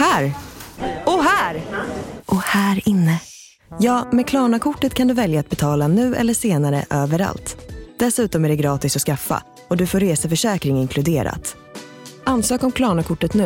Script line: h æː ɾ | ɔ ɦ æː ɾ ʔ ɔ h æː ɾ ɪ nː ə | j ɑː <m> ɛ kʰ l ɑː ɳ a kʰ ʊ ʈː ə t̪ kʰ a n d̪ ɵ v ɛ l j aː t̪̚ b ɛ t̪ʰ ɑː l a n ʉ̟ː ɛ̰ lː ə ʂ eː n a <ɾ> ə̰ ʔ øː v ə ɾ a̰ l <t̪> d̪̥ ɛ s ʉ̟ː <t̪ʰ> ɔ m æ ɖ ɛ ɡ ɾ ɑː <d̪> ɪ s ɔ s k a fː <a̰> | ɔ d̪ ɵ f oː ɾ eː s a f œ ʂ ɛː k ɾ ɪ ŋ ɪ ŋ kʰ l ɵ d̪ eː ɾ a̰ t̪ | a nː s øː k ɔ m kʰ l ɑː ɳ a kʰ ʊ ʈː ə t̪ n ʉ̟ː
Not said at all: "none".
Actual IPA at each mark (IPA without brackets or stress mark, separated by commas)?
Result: m, ɾ, t̪, t̪, t̪, a̰